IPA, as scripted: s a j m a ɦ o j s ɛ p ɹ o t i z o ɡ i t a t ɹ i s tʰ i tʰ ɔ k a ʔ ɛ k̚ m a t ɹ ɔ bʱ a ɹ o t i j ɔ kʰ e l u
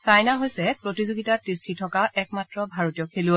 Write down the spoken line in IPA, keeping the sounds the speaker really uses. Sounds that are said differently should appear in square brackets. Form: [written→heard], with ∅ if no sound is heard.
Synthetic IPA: s a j [m→n] a ɦ o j s ɛ p ɹ o t i z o ɡ i t a t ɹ i s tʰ i tʰ ɔ k a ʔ ɛ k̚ m a t ɹ ɔ bʱ a ɹ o t i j ɔ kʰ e l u